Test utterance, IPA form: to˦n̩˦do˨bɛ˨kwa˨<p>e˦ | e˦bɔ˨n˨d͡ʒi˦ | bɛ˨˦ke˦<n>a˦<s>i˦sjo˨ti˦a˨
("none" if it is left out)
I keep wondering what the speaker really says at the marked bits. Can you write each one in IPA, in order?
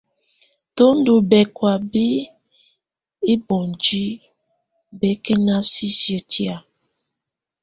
b, n, s

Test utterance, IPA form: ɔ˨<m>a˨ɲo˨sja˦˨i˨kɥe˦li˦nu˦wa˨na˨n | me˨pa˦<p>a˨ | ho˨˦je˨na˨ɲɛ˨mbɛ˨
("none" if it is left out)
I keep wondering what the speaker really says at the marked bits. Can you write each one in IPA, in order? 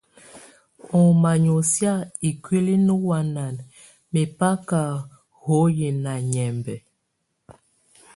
m, k

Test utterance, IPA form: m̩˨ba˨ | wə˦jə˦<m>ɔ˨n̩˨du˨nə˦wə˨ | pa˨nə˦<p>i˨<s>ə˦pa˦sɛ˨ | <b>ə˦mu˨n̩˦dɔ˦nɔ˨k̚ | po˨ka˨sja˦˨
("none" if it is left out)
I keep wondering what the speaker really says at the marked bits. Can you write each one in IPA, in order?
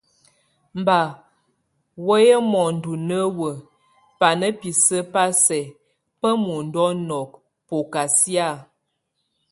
m, p, s, p

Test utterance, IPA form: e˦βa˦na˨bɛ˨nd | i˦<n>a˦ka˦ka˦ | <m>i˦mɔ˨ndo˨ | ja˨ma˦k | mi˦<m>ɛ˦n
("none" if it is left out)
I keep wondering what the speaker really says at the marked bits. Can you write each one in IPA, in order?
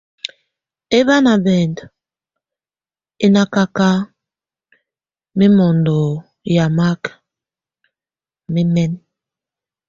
n, m, m

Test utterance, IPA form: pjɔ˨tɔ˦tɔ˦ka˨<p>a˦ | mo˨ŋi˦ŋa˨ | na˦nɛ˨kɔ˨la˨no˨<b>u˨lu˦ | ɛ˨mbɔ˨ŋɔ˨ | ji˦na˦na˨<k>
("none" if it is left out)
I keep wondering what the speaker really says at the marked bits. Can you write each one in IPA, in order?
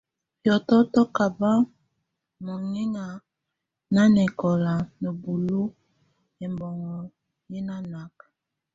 b, b, k

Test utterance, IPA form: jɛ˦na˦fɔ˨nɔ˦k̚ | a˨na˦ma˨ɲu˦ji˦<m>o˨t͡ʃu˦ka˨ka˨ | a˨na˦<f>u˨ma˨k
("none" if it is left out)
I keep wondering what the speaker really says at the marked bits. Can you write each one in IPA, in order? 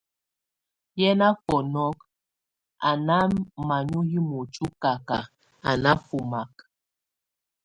m, f

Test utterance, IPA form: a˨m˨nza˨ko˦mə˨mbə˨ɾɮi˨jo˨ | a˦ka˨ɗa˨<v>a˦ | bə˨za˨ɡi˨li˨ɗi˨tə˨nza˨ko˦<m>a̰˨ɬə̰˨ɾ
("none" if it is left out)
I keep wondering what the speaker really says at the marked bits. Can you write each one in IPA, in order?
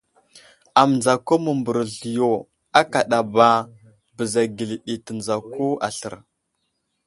b, none

